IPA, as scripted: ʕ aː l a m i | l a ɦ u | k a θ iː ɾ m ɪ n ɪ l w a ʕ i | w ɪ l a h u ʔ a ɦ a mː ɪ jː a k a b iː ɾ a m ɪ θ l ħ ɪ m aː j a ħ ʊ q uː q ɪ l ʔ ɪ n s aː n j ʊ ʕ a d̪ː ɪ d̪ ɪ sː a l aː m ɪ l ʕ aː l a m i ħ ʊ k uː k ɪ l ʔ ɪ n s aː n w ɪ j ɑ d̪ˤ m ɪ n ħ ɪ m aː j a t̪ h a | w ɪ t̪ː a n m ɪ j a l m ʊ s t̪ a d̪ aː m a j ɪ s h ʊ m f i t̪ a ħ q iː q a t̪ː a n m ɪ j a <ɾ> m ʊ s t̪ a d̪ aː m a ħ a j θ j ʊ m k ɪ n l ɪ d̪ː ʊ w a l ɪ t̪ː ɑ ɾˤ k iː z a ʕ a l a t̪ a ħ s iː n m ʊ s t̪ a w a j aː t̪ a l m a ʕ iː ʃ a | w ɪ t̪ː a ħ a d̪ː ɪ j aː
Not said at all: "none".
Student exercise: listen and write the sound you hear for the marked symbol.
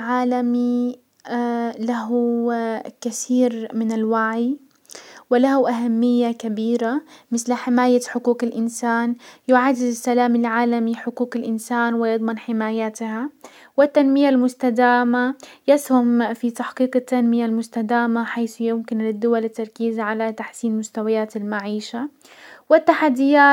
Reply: l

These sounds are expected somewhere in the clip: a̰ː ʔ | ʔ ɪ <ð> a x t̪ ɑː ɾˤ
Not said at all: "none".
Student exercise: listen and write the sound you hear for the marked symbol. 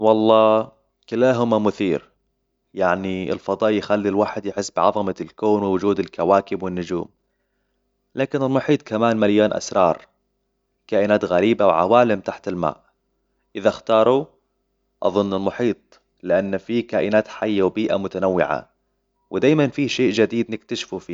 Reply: ð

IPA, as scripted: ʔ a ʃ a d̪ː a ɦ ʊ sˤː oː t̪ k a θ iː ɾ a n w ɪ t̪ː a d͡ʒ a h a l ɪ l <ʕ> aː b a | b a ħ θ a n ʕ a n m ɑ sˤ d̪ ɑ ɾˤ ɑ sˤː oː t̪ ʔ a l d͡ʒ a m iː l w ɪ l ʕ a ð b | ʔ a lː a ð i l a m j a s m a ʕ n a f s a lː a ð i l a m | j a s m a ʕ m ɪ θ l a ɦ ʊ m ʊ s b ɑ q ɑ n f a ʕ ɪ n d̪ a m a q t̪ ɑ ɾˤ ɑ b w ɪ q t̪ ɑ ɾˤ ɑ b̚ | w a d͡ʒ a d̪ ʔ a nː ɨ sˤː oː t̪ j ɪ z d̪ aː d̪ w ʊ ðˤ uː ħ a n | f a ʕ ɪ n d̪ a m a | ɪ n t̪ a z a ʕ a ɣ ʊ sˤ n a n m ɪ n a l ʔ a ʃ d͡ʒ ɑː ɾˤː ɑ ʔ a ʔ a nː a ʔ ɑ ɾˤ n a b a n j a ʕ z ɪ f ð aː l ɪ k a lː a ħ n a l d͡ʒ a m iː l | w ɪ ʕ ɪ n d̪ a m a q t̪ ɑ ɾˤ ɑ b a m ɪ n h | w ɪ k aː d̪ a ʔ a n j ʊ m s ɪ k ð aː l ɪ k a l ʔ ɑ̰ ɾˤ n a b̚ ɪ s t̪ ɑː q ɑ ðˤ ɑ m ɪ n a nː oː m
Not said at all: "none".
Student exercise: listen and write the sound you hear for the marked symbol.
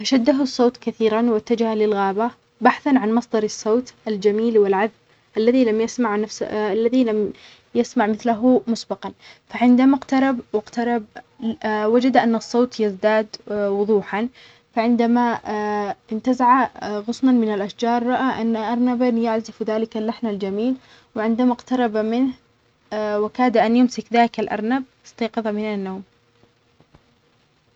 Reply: ɣ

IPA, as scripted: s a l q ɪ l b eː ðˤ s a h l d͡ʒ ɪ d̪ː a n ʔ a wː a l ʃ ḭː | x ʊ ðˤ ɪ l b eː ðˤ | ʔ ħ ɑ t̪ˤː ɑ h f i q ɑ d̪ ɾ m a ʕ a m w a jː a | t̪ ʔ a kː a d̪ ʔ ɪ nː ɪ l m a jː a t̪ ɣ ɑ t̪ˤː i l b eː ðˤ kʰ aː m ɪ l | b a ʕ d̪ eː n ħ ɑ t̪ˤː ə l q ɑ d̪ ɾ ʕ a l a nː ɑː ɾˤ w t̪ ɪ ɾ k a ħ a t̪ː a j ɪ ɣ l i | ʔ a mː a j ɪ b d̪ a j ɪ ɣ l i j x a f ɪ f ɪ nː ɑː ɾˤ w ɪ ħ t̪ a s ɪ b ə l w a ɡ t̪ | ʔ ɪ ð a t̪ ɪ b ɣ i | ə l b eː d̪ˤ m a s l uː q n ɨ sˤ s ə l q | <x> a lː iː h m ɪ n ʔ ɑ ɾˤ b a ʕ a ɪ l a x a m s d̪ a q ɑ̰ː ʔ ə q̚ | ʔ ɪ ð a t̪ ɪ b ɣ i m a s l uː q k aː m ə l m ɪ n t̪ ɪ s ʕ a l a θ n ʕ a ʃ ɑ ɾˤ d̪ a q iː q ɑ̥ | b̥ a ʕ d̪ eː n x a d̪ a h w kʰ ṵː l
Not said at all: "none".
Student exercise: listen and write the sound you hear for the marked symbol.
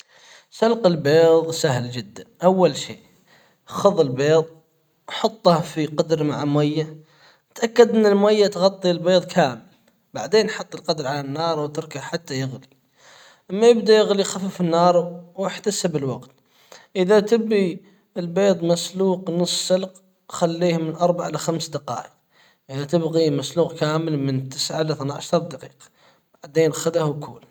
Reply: x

